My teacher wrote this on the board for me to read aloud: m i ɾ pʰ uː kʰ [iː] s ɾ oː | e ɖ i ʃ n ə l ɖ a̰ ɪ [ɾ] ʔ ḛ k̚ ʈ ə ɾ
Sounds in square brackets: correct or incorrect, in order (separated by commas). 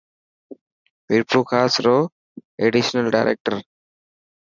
incorrect, correct